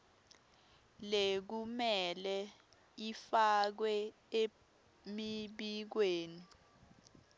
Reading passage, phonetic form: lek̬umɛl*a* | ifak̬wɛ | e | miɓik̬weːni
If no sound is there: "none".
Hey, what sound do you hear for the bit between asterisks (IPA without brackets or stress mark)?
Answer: ɛ